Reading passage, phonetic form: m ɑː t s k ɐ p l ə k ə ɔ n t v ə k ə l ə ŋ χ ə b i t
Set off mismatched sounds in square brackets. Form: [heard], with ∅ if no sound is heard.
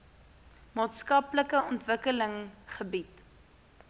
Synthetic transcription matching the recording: m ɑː t s k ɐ p l ə k ə ɔ n t v ə k ə l ə ŋ χ ə b i t